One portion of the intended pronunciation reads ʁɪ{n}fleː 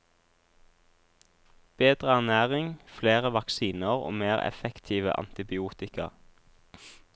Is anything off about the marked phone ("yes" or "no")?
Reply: yes